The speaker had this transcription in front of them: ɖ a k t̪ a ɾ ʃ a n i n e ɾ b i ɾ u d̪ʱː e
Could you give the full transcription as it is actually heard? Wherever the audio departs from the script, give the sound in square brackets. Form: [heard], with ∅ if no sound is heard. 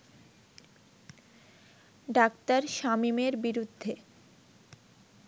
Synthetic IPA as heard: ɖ a k t̪ a ɾ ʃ a [m] i [m] e ɾ b i ɾ u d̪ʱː e